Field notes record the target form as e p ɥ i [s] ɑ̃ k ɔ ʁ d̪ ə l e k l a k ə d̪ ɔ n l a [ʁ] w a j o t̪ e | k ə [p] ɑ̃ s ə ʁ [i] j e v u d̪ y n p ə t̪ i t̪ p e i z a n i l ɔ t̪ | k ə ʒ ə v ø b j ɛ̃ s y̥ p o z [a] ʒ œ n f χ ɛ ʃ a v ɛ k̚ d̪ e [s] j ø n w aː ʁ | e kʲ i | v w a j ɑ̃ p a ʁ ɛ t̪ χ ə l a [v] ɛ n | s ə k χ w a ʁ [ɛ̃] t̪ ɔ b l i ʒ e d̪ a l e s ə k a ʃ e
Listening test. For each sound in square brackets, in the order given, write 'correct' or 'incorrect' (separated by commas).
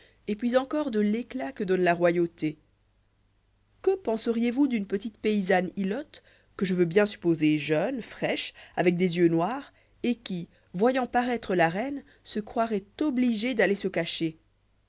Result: incorrect, correct, correct, correct, incorrect, incorrect, incorrect, incorrect